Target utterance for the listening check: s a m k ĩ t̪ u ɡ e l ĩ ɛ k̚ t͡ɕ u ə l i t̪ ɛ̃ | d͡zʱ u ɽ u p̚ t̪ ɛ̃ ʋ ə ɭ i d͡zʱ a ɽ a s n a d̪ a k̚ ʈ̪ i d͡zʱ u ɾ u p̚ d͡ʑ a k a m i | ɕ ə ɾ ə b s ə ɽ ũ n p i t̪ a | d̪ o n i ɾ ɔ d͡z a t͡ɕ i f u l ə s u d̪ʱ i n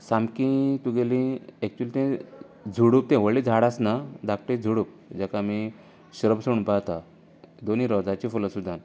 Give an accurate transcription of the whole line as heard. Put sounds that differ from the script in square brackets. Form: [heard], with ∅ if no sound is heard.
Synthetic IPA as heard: s a m k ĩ t̪ u ɡ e l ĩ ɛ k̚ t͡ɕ u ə l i t̪ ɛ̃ | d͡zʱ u ɽ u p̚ t̪ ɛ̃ ʋ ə ɭ i d͡zʱ a ɽ a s n a d̪ a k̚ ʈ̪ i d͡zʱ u [ɽ] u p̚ d͡ʑ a k a m i | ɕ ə ɾ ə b s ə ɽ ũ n p [a] t̪ a | d̪ o n i ɾ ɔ d͡z a t͡ɕ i f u l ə s u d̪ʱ [a] n